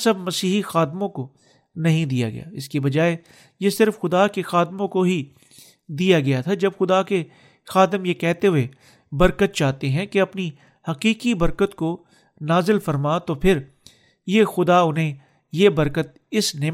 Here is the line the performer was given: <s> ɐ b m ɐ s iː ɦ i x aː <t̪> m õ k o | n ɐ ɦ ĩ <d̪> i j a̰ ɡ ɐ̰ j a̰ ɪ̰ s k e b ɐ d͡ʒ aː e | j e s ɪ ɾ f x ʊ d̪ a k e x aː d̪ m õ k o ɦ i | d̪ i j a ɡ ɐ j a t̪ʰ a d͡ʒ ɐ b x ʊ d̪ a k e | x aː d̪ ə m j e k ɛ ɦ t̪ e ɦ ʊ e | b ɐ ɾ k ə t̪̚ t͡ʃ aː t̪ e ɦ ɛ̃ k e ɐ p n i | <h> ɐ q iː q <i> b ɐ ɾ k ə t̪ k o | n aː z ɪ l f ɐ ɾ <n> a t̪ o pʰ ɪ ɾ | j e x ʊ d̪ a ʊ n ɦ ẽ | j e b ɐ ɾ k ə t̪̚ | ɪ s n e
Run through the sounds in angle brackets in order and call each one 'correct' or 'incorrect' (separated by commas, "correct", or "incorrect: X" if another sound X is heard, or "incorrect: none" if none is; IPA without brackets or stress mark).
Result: correct, incorrect: d̪, correct, correct, correct, incorrect: m